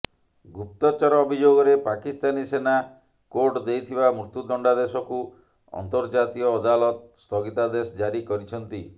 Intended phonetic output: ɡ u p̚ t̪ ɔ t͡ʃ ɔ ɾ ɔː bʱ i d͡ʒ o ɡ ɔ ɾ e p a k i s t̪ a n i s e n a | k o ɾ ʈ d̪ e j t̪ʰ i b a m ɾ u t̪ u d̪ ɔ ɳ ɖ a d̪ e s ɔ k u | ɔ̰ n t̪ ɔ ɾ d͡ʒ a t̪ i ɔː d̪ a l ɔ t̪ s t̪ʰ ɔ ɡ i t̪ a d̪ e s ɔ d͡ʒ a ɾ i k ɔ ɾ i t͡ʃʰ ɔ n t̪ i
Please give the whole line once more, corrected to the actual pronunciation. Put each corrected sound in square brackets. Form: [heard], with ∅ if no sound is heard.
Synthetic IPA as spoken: ɡ u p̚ t̪ ɔ t͡ʃ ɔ ɾ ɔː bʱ i d͡ʒ o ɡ ɔ ɾ e p a k i s t̪ a n i s e n a | k o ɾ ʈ d̪ e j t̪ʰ i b a m ɾ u t̪ u d̪ ɔ ɳ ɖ a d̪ e s ɔ k u | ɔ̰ n t̪ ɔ ɾ d͡ʒ a t̪ i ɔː d̪ a l ɔ t̪ s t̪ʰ ɔ ɡ i t̪ a d̪ e s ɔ d͡ʒ a ɾ i k ɔ ɾ i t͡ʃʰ ɔ n t̪ i

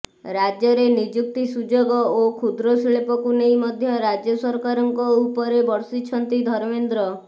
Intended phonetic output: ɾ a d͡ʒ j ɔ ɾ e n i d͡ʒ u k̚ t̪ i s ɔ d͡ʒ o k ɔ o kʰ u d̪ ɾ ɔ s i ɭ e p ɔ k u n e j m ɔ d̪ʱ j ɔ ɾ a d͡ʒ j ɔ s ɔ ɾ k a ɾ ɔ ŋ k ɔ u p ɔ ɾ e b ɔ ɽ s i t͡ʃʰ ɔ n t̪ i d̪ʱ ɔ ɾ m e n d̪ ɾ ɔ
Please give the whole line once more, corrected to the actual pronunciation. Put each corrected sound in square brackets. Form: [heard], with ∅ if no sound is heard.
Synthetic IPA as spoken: ɾ a d͡ʒ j ɔ ɾ e n i d͡ʒ u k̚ t̪ i s [u] d͡ʒ o [ɡ] ɔ o kʰ u d̪ ɾ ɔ s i ɭ e p ɔ k u n e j m ɔ d̪ʱ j ɔ ɾ a d͡ʒ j ɔ s ɔ ɾ k a ɾ ɔ ŋ k ɔ u p ɔ ɾ e b ɔ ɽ s i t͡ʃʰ ɔ n t̪ i d̪ʱ ɔ ɾ m e n d̪ ɾ ɔ

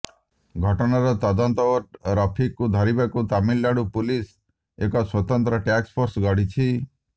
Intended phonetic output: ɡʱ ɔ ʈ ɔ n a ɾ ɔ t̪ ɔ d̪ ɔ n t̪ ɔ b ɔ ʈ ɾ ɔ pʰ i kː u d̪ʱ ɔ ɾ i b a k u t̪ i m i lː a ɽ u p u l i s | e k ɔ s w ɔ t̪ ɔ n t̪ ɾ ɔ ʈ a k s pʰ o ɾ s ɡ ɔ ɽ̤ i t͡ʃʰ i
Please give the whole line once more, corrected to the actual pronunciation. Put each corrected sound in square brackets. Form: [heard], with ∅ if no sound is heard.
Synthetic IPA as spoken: ɡʱ ɔ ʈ ɔ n a ɾ ɔ t̪ ɔ d̪ ɔ n t̪ ɔ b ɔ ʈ ɾ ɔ pʰ i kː u d̪ʱ ɔ ɾ i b a k u t̪ [a] m i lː a ɽ u p u l i s | e k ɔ s w ɔ t̪ ɔ n t̪ ɾ ɔ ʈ a k s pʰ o ɾ s ɡ ɔ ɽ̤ i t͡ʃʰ i

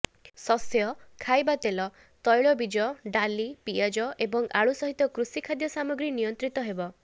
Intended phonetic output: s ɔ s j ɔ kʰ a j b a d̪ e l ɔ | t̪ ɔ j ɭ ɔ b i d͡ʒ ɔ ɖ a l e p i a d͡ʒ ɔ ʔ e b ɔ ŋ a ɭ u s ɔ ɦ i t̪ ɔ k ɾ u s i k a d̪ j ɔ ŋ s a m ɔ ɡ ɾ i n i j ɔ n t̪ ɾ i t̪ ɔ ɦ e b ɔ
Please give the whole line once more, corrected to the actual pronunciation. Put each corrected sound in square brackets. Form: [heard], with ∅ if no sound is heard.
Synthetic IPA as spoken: s ɔ s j ɔ kʰ a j b a [t̪] e l ɔ | t̪ ɔ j ɭ ɔ b i d͡ʒ ɔ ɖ a l [i] p i a d͡ʒ ɔ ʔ e b ɔ ŋ a ɭ u s ɔ ɦ i t̪ ɔ k ɾ u s i [kʰ] a d̪ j ɔ [∅] s a m ɔ ɡ ɾ i n i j ɔ n t̪ ɾ i t̪ ɔ ɦ e b ɔ

